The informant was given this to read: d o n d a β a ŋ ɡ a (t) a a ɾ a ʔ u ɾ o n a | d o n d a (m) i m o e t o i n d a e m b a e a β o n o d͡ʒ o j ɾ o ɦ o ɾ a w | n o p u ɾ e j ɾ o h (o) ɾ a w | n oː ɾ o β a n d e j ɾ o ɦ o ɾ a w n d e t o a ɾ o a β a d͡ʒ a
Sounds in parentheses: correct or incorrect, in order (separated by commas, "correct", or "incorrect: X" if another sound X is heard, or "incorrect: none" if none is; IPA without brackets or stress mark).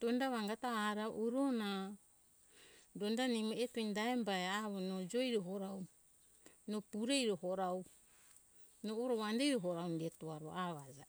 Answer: correct, incorrect: n, correct